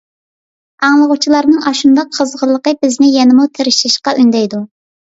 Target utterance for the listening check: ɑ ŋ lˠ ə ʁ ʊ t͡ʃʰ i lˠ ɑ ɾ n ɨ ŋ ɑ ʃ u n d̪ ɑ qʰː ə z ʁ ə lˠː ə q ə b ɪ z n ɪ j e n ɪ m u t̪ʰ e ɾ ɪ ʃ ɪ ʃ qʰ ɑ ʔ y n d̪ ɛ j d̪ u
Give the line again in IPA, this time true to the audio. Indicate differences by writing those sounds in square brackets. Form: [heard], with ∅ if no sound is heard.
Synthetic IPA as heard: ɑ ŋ lˠ ə ʁ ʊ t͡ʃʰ i lˠ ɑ ɾ n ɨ ŋ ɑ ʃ u n d̪ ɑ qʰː ə z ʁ ə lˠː ə q ə b ɪ z n ɪ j [ɛ] n ɪ m u t̪ʰ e ɾ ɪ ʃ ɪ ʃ [q] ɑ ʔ y n d̪ ɛ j d̪ u